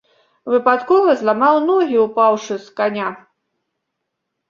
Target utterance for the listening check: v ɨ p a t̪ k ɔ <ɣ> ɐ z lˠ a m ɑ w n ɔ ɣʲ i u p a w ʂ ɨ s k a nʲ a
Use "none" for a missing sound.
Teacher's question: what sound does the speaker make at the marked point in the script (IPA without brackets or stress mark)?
v